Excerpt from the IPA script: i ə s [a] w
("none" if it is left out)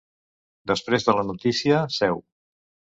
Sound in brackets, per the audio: ɛ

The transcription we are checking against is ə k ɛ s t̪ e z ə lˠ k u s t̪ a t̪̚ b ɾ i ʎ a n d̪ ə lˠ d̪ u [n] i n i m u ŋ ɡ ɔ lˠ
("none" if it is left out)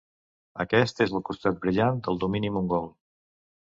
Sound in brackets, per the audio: m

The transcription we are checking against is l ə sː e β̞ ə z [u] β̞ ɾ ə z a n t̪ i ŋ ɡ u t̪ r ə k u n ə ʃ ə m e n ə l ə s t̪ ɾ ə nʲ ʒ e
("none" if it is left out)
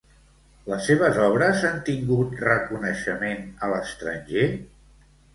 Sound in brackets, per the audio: ɔ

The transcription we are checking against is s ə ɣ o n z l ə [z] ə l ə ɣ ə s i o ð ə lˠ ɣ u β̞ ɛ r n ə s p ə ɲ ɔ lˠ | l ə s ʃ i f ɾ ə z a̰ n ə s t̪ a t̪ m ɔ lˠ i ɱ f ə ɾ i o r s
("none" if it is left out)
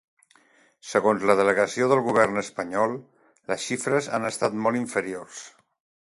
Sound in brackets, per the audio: ð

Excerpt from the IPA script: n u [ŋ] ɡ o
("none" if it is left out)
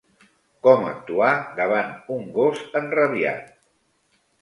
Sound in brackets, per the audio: ŋ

